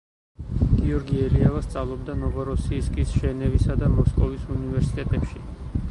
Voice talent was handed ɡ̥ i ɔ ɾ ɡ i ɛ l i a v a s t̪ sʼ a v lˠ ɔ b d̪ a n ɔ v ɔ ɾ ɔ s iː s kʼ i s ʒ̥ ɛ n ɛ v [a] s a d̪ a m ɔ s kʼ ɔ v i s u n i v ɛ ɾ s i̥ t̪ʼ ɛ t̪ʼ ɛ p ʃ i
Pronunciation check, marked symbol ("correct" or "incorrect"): incorrect